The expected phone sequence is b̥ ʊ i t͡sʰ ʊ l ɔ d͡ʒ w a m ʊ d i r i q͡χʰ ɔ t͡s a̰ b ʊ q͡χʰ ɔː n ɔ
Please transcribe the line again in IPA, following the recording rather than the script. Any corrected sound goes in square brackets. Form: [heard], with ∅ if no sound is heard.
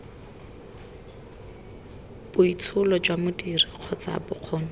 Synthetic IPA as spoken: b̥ ʊ i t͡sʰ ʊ l ɔ d͡ʒ w a m ʊ d i r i q͡χʰ ɔ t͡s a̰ b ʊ q͡χʰ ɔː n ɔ